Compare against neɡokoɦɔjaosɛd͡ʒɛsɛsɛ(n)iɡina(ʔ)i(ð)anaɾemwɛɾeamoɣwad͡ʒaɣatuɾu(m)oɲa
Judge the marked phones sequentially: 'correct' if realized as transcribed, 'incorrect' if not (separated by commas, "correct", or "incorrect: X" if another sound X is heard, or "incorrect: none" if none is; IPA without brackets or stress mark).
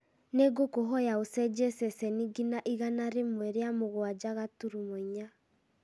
correct, correct, incorrect: ɣ, correct